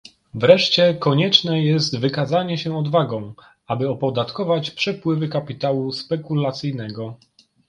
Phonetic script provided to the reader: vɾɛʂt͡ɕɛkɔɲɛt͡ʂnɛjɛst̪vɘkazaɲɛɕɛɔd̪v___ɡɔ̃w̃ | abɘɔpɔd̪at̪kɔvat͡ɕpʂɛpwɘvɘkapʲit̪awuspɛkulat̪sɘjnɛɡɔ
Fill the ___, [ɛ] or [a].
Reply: a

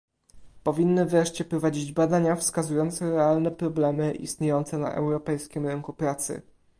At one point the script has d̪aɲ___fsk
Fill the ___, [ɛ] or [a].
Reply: a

